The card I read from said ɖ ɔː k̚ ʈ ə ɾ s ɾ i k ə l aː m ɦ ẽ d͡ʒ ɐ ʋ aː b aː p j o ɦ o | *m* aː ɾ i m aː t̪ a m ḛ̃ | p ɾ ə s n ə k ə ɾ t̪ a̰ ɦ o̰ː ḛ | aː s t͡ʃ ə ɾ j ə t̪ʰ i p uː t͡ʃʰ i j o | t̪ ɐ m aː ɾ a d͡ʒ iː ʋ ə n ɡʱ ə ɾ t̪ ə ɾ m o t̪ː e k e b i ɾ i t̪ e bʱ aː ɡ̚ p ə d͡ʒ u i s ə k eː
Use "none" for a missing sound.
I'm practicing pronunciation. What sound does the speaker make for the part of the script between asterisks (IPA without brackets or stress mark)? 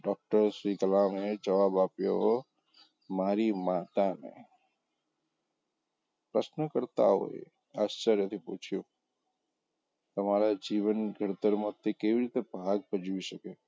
m